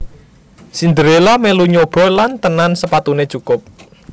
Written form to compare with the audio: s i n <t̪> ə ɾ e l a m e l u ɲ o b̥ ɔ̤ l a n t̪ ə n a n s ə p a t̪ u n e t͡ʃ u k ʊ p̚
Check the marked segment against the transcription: incorrect: d̪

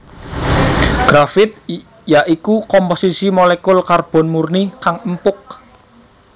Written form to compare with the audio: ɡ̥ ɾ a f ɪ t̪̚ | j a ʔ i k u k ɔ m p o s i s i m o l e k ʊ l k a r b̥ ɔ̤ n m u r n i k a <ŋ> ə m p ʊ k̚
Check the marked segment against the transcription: correct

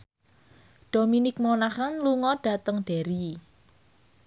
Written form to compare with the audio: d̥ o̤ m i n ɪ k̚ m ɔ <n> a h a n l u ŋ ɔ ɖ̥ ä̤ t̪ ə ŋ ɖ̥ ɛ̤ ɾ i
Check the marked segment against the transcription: correct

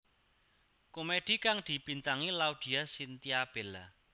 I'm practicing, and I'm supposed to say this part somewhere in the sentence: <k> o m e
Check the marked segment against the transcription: correct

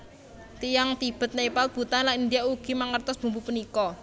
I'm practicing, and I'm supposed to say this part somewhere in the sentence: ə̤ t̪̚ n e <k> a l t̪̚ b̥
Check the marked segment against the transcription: incorrect: p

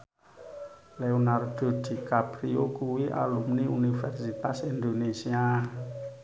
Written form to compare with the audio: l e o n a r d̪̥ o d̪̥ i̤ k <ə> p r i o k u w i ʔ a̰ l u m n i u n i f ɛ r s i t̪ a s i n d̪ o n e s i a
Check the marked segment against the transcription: incorrect: a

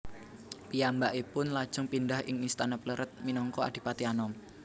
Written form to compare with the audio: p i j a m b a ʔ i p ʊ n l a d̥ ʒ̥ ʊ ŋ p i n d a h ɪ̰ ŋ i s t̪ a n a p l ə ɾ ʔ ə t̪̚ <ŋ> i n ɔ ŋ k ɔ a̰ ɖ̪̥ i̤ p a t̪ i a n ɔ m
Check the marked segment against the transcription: incorrect: m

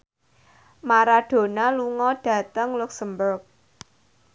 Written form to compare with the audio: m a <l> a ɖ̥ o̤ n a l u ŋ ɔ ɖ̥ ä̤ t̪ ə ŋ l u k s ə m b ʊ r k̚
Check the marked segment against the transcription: incorrect: ɾ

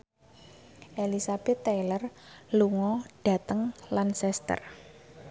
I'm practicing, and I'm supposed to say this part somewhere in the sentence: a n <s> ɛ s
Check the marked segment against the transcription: correct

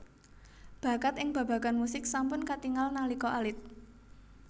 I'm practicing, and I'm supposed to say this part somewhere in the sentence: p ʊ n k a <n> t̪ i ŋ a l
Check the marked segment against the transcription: incorrect: none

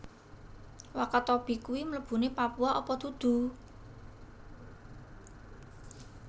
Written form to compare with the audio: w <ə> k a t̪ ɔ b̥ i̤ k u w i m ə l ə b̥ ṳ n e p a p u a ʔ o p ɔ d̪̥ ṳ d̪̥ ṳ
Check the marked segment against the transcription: incorrect: a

